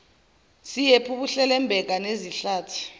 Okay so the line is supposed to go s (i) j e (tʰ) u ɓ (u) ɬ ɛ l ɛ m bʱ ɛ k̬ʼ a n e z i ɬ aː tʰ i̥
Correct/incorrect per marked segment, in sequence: correct, incorrect: pʰ, correct

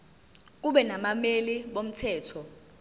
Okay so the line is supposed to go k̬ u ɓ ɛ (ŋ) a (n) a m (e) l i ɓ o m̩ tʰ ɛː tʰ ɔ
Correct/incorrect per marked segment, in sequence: incorrect: n, incorrect: m, correct

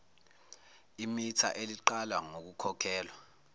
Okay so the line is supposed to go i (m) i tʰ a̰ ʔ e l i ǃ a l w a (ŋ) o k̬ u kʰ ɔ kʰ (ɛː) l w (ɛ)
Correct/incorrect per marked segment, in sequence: correct, correct, correct, incorrect: a

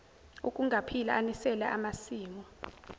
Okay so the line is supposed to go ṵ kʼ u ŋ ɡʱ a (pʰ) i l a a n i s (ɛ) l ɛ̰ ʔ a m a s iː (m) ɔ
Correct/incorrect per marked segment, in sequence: correct, correct, correct

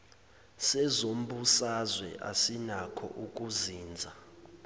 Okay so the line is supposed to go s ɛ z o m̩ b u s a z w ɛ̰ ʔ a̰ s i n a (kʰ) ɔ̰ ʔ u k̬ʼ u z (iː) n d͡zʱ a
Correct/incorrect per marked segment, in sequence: correct, correct

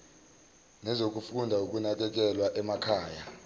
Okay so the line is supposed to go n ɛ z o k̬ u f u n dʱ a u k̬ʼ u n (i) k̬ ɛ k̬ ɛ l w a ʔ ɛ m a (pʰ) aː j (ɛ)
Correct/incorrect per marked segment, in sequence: incorrect: a, incorrect: kʰ, incorrect: a

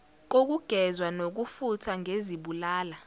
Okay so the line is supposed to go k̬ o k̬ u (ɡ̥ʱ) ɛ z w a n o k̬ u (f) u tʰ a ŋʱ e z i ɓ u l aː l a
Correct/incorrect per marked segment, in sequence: correct, correct

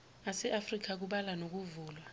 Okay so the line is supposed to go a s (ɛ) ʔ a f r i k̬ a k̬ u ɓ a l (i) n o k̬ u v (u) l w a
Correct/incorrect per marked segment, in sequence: correct, incorrect: a, incorrect: uː

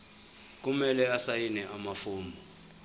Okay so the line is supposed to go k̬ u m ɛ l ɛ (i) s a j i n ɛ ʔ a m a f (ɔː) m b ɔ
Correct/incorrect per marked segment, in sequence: incorrect: a, incorrect: uː

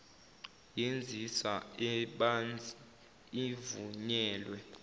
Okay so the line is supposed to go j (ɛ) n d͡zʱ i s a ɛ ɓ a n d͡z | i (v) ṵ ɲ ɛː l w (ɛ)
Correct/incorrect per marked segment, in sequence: incorrect: e, correct, correct

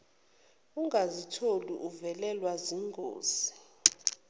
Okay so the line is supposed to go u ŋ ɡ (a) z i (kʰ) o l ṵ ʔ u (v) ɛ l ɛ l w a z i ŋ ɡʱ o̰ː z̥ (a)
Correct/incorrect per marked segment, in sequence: correct, incorrect: tʰ, correct, incorrect: i

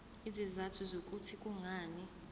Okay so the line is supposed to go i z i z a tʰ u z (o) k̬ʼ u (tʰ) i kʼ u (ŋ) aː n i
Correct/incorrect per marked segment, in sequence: correct, correct, correct

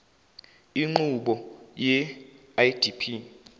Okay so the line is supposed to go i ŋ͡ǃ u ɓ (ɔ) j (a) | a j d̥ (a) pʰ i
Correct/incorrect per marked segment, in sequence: correct, incorrect: ɛ, incorrect: i

